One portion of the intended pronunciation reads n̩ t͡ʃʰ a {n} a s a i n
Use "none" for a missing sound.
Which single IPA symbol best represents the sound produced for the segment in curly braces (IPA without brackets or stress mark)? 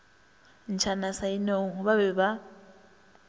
n